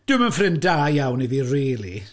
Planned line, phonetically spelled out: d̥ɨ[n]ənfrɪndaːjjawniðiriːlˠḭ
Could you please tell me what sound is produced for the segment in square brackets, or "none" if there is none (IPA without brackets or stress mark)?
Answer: m